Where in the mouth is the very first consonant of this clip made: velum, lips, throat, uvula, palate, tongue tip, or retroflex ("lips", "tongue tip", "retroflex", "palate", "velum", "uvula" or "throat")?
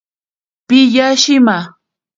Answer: lips